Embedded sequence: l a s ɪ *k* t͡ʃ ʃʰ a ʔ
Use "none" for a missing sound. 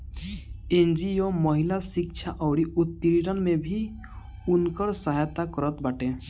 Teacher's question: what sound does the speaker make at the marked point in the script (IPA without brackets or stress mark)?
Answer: k